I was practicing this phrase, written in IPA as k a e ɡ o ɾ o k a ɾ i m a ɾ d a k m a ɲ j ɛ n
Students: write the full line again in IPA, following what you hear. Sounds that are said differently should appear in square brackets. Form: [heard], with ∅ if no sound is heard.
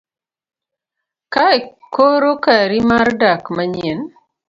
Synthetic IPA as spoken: k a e [k] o ɾ o k a ɾ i m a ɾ d a k m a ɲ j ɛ n